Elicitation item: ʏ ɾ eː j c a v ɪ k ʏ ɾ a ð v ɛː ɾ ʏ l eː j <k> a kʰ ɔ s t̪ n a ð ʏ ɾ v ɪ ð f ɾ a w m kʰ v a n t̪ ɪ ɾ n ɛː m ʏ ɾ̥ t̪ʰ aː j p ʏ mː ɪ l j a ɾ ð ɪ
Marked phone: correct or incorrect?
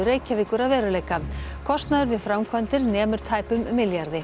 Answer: correct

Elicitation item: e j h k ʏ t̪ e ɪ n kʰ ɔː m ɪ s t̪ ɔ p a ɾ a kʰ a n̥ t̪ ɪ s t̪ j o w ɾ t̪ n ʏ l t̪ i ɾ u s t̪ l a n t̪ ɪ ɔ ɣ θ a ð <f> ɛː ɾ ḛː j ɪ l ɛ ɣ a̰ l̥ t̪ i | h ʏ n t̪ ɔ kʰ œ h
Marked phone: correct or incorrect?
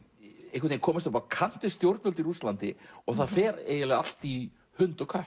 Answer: correct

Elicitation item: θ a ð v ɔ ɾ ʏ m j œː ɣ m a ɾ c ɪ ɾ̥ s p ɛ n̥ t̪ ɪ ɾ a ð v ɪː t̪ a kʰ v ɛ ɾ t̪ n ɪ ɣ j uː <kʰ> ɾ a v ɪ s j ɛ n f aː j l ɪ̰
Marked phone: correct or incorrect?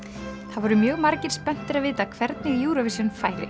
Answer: incorrect: none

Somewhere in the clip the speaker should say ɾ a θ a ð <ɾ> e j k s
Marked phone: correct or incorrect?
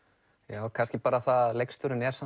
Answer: incorrect: l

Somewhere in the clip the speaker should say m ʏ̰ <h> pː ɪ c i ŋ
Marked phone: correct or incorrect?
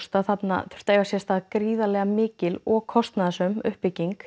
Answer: correct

